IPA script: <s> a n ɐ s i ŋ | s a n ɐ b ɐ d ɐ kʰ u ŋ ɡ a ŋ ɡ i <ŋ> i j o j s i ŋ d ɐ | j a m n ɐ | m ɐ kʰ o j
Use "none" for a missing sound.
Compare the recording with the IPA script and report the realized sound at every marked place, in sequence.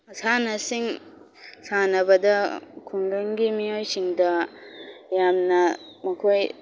s, m

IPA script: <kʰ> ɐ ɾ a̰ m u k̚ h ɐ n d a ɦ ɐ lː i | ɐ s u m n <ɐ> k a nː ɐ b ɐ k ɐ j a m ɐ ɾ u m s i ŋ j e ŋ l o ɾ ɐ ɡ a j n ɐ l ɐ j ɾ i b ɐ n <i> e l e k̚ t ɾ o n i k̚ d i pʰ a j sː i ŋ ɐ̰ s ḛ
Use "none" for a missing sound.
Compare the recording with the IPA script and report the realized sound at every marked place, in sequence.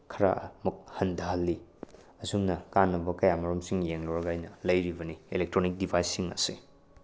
kʰ, ɐ, i

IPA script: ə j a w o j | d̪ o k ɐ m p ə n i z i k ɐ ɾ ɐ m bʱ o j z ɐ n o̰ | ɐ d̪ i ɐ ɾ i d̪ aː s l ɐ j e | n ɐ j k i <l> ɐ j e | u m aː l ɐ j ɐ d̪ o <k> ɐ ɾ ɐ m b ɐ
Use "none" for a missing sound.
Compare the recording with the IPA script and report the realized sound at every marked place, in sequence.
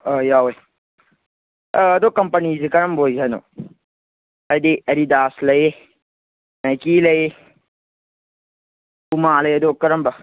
l, k

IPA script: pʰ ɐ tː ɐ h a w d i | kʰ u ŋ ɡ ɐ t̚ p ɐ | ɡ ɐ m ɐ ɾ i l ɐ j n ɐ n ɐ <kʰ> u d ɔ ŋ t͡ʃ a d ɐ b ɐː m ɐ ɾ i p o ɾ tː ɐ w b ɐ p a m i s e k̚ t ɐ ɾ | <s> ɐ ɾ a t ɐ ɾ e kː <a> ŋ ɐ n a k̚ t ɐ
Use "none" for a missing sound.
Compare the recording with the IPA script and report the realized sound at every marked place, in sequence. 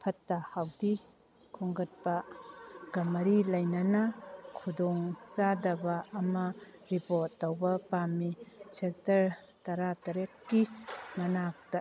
kʰ, t, i

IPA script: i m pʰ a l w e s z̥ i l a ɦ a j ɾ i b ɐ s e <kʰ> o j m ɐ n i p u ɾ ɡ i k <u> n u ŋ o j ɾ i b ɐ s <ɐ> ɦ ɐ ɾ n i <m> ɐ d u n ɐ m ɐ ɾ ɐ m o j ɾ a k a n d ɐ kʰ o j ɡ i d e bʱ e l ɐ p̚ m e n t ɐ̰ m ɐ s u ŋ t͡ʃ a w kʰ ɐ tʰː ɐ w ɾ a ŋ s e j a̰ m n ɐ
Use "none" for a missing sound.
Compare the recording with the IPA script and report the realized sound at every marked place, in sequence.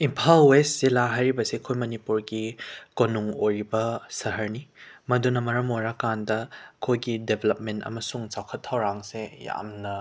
kʰ, o, ɐ, m

